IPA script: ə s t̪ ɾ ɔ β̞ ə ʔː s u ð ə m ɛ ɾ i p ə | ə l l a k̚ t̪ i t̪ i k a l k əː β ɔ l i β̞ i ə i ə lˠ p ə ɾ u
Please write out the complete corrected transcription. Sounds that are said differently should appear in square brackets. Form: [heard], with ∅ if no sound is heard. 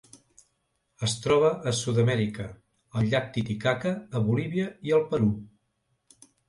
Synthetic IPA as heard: ə s t̪ ɾ ɔ β̞ ə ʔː s u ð ə m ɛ ɾ i [k] ə | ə l [ʎ] a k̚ t̪ i t̪ i k a [∅] k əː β [u] l i β̞ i ə i ə lˠ p ə ɾ u

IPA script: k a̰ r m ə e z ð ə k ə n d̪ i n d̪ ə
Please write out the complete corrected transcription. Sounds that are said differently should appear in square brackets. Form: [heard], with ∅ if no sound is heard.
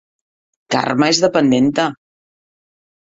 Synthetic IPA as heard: k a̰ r m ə e z ð ə [p] ə n d̪ [e] n [t̪] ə

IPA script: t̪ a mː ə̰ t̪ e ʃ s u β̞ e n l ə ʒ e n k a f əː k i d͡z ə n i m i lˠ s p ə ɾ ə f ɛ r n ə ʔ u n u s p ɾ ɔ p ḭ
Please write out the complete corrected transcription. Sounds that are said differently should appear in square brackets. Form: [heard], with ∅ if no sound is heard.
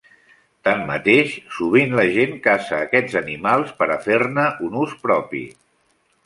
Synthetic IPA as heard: t̪ a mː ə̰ t̪ e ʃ s u β̞ [i] n l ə ʒ e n k a [s] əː k [ɛ] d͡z ə n i m [a] lˠ s p ə ɾ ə f [e] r n ə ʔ u n u s p ɾ ɔ p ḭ

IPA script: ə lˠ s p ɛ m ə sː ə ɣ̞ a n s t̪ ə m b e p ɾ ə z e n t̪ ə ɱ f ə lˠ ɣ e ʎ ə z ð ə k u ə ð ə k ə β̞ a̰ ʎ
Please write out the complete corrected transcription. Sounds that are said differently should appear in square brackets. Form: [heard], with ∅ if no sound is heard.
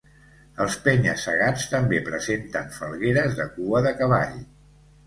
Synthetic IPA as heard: ə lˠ s p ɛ [ɲ] ə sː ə ɣ̞ a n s t̪ ə m b e p ɾ ə z e n t̪ ə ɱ f ə lˠ ɣ e [ɾ] ə z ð ə k u ə ð ə k ə β̞ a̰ ʎ

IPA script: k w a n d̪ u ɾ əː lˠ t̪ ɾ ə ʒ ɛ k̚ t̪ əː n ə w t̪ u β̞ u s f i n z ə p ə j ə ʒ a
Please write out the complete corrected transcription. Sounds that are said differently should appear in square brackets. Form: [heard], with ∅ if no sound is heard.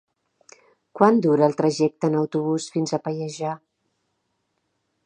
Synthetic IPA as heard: k w a n d̪ u ɾ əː lˠ t̪ ɾ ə ʒ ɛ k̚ t̪ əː n ə w t̪ u β̞ u s f i n z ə p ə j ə ʒ a

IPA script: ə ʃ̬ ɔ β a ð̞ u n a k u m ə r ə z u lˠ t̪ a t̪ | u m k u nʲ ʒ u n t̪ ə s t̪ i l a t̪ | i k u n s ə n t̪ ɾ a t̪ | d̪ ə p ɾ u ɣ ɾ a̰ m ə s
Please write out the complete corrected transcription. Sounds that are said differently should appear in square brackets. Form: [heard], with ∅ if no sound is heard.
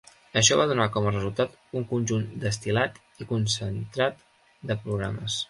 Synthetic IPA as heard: ə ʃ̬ ɔ β a ð̞ u n a k [ɔ] m ə r ə z u lˠ t̪ a t̪ | u [ŋ] k u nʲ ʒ u n [d̪] ə s t̪ i l a t̪ | i k u n s ə n t̪ ɾ a t̪ | d̪ ə p ɾ u ɣ ɾ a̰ m ə s

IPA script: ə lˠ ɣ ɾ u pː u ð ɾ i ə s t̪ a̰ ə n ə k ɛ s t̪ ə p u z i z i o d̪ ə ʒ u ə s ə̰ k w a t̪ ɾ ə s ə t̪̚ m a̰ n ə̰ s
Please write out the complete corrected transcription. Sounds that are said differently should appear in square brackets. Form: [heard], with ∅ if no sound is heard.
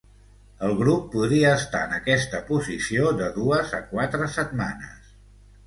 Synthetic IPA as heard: ə lˠ ɣ ɾ u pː u ð ɾ i [əː] s t̪ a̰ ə n ə k ɛ s t̪ ə p u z i [s] i o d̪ ə [ð] u ə [z] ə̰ k w a t̪ ɾ ə s ə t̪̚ m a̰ n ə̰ s

